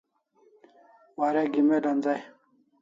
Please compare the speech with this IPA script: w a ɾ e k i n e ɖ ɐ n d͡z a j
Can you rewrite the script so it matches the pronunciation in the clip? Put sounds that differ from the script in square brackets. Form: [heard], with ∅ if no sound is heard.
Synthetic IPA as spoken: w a ɾ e [ɡ] i [m] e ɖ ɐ n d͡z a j